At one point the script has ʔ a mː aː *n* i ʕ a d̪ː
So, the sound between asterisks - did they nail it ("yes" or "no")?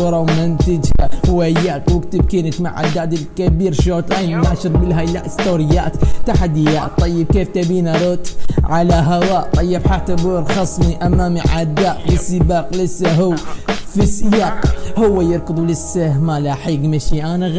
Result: no